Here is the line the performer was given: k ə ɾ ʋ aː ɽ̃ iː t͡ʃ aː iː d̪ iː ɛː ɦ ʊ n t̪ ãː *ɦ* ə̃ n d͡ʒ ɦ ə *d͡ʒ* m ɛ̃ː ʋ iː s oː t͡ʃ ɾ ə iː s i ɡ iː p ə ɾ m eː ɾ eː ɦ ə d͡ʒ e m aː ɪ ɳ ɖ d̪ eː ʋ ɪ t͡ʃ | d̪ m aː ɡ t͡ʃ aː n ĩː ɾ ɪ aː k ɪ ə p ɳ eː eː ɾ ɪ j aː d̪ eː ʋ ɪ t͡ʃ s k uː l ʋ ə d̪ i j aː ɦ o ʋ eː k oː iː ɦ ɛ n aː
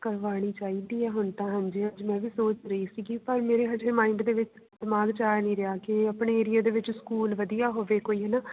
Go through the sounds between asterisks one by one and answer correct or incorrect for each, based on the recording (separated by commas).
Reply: correct, correct